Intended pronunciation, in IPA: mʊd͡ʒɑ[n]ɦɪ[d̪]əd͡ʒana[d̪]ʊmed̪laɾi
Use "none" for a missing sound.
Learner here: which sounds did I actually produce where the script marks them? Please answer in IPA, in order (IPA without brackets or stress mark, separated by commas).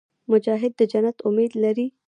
none, d̪ː, t̪